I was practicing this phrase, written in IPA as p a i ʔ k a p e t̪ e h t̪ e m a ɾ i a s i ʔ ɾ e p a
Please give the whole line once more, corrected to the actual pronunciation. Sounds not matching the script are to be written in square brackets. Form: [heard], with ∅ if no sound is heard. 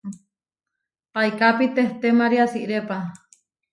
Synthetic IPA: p a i [∅] k a p [i] t̪ e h t̪ e m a ɾ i a s i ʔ ɾ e p a